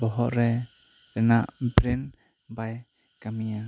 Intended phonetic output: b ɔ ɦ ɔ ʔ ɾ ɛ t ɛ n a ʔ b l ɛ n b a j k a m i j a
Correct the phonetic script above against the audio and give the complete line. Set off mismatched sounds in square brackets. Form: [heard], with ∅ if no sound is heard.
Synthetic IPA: b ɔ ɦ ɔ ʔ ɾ ɛ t ɛ n a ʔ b [ɾ] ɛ n b a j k a m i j a